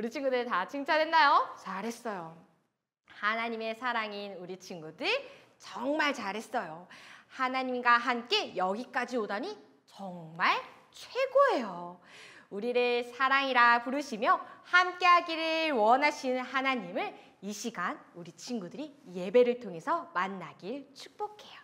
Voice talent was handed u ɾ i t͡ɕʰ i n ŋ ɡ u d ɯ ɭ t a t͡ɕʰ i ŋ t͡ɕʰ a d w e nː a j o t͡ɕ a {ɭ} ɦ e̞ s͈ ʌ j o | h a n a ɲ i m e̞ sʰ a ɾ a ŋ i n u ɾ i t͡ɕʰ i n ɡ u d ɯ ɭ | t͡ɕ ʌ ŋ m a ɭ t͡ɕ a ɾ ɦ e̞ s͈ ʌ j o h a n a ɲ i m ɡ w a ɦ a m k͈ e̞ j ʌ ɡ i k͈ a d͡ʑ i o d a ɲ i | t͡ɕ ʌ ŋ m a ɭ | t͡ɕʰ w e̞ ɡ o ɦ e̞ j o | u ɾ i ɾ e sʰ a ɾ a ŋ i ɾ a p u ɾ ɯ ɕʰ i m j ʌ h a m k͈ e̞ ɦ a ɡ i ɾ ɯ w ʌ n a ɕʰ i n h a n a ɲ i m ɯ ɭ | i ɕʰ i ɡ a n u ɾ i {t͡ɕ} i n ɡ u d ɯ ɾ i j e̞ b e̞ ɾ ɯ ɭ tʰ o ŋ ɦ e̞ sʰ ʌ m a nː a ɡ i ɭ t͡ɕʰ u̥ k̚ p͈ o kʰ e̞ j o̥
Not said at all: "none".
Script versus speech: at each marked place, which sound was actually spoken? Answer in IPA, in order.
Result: ɾ, t͡ɕʰ

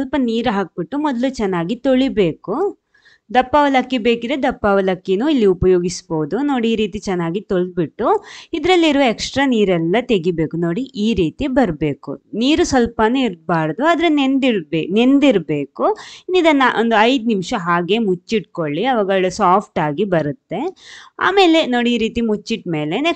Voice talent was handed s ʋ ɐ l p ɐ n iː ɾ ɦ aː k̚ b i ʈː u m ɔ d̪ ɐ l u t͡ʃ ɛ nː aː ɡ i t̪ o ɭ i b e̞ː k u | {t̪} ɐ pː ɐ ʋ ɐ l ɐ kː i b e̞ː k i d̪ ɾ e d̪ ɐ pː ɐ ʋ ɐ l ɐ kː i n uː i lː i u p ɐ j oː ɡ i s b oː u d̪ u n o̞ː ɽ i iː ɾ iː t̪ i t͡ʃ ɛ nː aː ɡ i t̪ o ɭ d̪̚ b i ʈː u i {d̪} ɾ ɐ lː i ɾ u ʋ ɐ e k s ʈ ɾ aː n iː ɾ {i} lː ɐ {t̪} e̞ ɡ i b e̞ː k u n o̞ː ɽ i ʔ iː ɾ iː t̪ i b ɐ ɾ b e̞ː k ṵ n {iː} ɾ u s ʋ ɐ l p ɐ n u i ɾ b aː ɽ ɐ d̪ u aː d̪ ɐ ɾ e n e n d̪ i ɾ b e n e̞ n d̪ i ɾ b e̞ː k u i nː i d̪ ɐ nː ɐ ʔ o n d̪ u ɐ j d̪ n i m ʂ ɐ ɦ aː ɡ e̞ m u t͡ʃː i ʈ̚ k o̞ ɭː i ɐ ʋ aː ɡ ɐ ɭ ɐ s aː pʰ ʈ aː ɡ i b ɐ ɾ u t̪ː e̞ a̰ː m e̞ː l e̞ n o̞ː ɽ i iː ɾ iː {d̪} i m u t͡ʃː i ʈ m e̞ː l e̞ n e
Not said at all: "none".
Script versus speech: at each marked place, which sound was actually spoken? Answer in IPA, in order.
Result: d̪, d̪, ɛ, t̪, iː, t̪

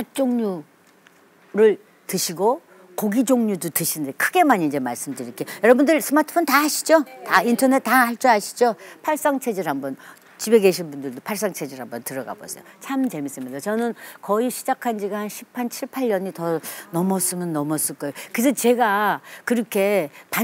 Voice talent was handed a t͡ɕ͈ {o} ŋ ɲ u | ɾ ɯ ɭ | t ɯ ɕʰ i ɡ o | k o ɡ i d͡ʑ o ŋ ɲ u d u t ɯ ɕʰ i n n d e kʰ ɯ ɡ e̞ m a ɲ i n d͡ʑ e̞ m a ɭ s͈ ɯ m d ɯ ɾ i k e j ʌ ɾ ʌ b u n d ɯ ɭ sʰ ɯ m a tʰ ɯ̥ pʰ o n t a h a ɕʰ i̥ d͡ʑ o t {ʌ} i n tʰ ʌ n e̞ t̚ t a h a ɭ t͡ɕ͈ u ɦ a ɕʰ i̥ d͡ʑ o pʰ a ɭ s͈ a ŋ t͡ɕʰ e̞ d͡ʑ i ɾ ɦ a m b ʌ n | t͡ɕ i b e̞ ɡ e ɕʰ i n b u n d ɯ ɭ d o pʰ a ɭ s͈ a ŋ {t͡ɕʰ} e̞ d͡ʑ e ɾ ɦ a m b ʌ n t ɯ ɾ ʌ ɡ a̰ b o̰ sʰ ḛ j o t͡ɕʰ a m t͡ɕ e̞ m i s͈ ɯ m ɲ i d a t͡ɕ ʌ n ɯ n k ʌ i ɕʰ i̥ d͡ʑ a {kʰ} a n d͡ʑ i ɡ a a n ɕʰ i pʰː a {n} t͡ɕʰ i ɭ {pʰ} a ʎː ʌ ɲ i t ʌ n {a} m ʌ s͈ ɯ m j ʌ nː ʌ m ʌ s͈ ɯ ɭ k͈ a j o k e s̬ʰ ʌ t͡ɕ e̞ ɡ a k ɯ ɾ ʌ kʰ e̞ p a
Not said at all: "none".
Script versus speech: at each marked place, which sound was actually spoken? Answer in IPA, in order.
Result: o, a, t͡ɕʰ, kʰ, n, pʰ, ʌ

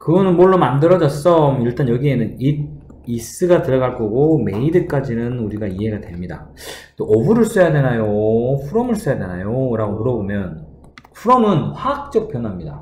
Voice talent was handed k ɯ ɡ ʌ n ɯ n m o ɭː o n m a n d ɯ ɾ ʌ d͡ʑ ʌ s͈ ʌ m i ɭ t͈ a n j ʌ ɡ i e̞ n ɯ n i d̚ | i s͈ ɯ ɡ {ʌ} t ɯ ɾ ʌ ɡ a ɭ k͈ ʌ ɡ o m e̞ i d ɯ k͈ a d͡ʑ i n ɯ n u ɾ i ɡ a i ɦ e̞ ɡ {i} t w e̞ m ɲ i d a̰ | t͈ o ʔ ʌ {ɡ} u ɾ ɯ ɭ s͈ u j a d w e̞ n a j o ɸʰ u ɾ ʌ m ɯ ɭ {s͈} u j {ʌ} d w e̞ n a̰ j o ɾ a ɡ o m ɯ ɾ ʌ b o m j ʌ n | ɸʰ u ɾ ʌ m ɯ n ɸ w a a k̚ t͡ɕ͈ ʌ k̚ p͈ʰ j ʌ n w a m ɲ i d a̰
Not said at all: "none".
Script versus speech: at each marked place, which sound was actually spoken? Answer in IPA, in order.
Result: a, a, b, s͈, a

